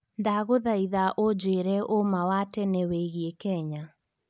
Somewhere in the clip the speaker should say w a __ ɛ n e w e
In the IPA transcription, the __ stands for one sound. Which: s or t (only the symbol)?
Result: t